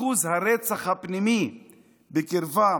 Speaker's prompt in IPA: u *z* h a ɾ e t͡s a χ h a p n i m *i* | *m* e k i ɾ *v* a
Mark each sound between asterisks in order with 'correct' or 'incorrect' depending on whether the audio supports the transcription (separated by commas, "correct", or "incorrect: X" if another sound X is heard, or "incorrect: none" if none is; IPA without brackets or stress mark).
correct, correct, incorrect: b, correct